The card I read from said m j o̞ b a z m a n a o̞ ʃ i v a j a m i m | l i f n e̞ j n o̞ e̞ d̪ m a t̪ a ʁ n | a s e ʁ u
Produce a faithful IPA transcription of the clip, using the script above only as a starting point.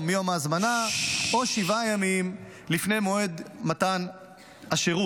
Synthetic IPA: m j o̞ m a z m a n a o̞ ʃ i v a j a m i m | l i f n e̞ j m o̞ e̞ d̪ m a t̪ a n | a ʃ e ʁ u